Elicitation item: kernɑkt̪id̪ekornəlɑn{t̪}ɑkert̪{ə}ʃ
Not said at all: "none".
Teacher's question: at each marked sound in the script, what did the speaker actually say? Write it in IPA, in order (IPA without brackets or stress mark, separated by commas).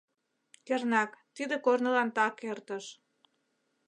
t̪, ə